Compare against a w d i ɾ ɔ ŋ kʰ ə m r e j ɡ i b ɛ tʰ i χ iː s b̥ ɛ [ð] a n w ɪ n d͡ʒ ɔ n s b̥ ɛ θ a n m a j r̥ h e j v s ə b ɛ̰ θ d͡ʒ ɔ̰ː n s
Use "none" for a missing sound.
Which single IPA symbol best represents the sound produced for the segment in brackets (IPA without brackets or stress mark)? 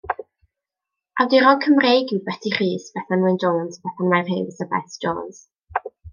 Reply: θ